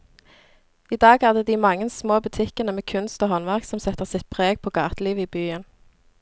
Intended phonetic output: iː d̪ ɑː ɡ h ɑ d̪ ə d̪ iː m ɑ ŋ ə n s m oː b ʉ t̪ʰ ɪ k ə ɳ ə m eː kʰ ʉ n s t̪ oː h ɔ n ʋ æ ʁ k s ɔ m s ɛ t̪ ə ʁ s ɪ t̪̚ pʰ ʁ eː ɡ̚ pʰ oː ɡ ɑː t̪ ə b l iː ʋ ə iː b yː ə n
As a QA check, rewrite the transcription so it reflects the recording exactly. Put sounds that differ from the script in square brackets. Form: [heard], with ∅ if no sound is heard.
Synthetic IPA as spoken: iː d̪ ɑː ɡ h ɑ d̪ ə d̪ iː m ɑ ŋ ə n s m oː b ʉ t̪ʰ ɪ k ə [n] ə m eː kʰ ʉ n s t̪ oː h ɔ n ʋ æ ʁ k s ɔ m s ɛ t̪ ə ʁ s ɪ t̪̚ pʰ ʁ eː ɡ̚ pʰ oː ɡ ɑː t̪ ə [∅] l iː ʋ ə iː b yː ə n